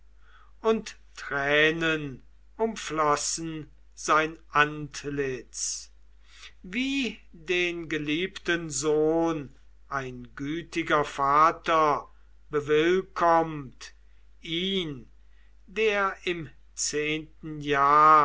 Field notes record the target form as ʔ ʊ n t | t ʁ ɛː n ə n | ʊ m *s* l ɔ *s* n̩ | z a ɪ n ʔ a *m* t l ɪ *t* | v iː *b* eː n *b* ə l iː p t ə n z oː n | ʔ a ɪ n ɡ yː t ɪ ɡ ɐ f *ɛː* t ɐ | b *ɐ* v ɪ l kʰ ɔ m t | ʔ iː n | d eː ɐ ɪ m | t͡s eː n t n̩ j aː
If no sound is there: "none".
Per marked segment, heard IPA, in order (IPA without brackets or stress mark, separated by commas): f, s, n, t͡s, d, ɡ, aː, ə